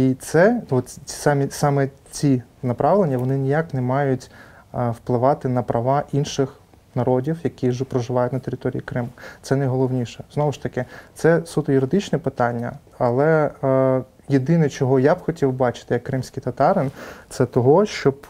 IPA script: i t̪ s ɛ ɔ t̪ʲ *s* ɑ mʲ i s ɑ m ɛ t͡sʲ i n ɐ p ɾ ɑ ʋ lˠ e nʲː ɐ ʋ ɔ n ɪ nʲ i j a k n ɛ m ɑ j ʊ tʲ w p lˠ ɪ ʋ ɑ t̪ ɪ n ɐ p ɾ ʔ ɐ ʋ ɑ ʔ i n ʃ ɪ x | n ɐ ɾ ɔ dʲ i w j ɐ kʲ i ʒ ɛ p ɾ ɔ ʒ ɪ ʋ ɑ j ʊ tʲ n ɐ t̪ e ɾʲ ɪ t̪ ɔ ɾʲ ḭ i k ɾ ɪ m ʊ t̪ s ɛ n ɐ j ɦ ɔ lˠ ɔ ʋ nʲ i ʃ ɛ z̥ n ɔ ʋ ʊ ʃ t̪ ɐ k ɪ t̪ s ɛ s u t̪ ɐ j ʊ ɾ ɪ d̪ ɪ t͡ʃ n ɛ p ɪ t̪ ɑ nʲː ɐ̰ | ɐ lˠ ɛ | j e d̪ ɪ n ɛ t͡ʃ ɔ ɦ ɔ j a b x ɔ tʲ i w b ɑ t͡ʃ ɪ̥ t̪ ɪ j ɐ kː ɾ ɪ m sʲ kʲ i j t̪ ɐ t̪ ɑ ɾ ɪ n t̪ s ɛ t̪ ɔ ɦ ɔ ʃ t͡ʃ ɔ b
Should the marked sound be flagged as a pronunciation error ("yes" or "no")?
no